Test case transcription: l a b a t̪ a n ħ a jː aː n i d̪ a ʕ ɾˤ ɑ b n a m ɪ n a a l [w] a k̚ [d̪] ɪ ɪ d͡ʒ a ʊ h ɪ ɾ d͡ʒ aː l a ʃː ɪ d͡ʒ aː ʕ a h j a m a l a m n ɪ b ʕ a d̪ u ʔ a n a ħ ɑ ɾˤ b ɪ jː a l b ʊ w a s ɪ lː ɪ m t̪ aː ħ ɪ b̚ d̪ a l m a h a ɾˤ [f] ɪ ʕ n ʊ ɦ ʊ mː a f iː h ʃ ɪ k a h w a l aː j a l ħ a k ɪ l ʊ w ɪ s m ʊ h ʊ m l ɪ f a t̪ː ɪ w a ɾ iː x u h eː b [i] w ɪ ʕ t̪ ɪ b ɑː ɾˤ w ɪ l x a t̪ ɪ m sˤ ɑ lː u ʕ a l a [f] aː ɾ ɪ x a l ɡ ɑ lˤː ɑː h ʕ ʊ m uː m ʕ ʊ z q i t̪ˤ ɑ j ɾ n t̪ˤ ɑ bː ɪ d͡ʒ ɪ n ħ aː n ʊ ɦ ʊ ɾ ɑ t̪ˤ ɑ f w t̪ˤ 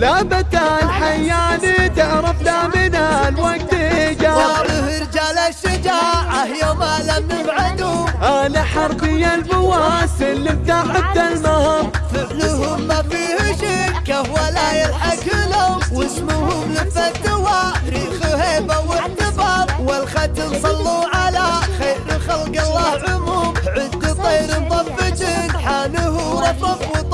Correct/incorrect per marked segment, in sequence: correct, incorrect, correct, incorrect, incorrect

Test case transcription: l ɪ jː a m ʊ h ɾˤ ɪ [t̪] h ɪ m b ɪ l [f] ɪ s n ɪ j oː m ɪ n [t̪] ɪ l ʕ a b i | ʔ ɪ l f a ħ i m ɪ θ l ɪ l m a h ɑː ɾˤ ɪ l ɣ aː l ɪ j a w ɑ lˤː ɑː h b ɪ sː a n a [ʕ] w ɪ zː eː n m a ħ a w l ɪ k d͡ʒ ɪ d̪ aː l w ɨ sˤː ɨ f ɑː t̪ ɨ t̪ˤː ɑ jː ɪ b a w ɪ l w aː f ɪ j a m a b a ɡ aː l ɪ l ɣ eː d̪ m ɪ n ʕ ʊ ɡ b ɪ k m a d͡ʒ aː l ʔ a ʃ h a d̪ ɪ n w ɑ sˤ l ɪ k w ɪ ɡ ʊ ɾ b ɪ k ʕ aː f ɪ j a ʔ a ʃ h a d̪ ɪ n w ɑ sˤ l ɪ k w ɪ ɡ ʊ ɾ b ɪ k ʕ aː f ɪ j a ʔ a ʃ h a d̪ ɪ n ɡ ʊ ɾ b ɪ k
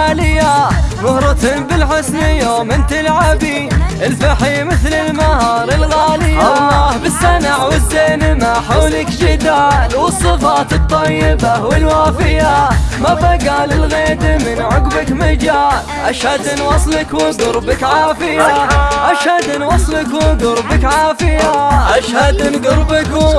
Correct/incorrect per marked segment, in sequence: correct, incorrect, correct, correct

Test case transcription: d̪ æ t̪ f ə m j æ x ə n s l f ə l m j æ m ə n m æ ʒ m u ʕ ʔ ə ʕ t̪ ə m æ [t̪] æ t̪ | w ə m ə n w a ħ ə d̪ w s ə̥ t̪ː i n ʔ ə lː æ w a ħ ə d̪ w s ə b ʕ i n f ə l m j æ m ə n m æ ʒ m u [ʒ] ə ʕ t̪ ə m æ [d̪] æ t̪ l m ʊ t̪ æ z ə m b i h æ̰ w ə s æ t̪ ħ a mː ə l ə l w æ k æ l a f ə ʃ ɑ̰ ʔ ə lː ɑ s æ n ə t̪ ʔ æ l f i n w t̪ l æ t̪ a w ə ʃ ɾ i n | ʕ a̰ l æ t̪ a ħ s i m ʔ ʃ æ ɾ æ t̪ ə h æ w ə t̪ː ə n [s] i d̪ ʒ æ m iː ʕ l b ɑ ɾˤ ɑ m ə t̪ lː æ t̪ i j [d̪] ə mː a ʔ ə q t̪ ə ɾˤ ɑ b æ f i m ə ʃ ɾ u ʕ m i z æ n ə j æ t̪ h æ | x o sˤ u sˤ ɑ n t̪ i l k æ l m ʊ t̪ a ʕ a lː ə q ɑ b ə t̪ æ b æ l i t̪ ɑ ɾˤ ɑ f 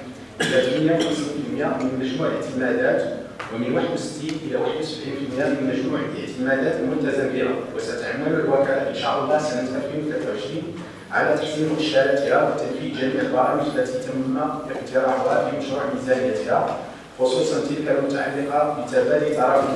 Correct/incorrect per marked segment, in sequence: incorrect, incorrect, correct, incorrect, incorrect

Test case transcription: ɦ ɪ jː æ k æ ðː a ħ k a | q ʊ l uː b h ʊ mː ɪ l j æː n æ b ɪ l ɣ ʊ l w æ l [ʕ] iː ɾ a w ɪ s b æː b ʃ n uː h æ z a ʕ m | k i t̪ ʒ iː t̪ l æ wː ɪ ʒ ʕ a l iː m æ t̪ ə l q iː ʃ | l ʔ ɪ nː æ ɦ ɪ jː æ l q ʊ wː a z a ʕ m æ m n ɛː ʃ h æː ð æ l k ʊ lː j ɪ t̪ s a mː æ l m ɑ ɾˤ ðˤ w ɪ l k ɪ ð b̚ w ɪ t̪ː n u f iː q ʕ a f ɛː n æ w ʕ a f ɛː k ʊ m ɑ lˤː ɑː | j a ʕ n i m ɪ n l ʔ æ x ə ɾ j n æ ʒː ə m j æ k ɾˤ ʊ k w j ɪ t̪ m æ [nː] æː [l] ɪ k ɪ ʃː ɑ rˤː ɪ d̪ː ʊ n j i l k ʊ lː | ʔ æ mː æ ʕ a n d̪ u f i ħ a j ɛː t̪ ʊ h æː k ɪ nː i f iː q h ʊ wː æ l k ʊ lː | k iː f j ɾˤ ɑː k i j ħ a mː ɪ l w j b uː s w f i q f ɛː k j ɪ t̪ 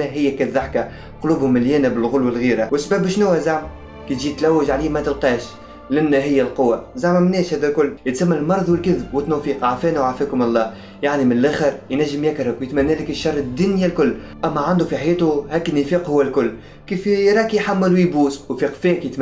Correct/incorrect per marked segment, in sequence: incorrect, correct, correct

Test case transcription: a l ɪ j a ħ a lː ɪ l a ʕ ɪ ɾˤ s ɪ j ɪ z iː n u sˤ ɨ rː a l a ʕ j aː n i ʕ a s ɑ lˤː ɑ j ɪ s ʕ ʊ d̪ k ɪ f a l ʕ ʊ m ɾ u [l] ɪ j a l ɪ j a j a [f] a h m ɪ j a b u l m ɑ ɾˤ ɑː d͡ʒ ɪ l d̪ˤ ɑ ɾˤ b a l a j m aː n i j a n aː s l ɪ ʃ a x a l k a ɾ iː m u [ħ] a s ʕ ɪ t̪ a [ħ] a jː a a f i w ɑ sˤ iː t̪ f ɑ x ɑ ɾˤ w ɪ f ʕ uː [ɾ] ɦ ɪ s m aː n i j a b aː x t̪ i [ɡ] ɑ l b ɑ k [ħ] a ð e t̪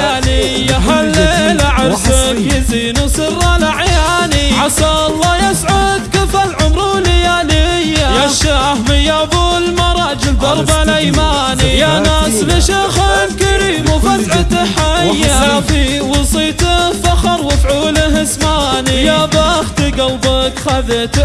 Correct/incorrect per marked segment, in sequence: correct, incorrect, incorrect, correct, incorrect, correct, incorrect

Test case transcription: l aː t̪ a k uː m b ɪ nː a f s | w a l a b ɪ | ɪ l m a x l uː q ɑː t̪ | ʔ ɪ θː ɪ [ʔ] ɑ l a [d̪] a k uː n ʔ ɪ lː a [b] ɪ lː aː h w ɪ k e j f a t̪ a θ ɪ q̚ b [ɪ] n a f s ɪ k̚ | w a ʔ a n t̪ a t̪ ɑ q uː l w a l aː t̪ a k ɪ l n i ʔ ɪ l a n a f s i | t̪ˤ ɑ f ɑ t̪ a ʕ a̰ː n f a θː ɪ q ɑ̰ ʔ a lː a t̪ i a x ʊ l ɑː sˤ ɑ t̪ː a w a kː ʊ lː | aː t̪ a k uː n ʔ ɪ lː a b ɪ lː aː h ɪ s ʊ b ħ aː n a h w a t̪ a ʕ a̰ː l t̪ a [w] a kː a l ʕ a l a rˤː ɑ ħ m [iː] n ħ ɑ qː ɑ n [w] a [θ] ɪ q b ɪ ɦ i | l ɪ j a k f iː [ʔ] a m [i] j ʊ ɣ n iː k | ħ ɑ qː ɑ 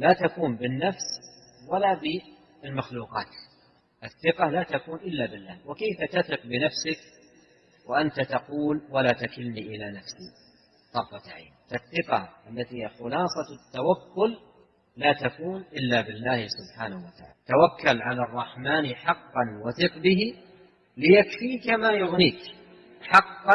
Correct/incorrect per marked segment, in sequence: incorrect, incorrect, correct, correct, correct, incorrect, correct, correct, incorrect, incorrect

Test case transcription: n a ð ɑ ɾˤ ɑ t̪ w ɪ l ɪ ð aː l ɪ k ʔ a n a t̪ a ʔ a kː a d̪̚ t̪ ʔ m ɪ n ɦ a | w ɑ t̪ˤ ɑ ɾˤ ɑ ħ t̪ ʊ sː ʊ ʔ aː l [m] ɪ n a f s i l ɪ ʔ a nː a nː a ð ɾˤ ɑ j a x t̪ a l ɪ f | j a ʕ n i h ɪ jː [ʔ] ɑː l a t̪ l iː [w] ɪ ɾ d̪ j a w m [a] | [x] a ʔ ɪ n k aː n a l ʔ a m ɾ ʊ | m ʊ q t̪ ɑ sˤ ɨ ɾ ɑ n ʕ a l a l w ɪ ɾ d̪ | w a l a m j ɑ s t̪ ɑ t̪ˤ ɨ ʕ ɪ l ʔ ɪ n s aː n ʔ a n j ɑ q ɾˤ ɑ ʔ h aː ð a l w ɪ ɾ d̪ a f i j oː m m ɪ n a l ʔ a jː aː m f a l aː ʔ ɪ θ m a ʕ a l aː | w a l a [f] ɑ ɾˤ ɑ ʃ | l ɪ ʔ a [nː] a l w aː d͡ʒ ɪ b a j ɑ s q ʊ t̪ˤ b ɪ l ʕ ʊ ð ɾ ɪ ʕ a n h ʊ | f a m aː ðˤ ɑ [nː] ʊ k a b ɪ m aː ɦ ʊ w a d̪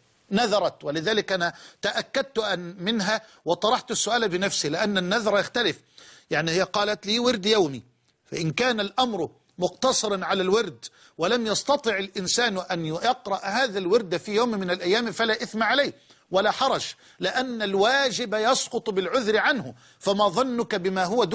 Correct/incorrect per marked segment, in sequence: incorrect, incorrect, correct, incorrect, incorrect, incorrect, correct, correct

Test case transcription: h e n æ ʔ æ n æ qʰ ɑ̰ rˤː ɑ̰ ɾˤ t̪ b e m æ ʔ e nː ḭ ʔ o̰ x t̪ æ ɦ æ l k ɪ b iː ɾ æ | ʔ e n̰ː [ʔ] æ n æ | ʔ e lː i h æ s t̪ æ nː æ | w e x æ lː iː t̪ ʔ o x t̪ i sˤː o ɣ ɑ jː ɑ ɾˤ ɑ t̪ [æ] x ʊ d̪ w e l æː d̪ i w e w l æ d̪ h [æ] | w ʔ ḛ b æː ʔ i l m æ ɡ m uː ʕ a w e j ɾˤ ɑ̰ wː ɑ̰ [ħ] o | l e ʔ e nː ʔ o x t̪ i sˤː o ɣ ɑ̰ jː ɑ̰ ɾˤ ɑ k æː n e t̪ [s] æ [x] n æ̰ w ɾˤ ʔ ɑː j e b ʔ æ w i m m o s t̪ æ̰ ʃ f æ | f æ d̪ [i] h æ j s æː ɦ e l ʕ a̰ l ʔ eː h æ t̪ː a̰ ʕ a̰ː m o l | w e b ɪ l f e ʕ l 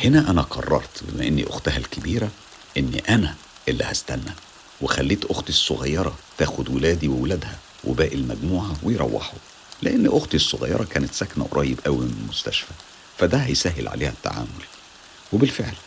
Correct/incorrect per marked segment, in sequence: correct, incorrect, correct, correct, correct, incorrect, incorrect

